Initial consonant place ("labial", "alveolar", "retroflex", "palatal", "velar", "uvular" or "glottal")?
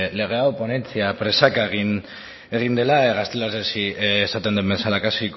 alveolar